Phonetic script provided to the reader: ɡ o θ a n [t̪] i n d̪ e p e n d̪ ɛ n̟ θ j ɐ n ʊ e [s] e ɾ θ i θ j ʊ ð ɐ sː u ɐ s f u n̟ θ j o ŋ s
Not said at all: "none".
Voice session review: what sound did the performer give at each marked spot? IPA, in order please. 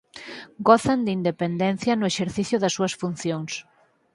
d̪, ʃ

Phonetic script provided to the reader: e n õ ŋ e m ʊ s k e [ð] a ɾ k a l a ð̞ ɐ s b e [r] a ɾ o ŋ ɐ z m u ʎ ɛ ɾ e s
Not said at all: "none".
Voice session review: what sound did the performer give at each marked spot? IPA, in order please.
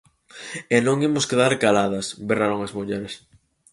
ð, r

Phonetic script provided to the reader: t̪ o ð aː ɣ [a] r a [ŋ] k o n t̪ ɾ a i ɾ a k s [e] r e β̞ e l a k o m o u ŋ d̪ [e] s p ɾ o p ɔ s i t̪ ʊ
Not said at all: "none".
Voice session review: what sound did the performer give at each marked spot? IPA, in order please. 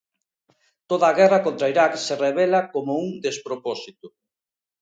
ɛ, none, e, e

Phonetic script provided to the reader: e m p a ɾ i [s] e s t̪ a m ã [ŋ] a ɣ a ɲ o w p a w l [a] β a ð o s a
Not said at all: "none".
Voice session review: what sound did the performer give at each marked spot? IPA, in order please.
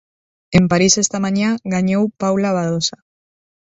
s, ɲ, a

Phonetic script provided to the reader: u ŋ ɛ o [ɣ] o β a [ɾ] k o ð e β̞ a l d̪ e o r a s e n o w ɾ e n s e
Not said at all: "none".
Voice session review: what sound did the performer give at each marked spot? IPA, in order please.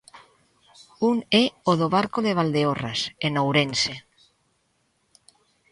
ð, ɾ

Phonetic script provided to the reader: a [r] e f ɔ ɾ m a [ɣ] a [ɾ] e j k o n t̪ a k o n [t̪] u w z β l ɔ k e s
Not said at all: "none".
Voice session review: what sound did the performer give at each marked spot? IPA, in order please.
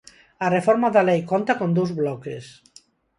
r, ð, l, d̪

